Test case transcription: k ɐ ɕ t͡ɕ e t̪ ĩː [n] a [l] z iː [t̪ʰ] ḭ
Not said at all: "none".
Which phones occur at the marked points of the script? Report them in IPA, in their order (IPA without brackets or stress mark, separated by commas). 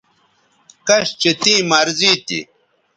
m, ɾ, t̪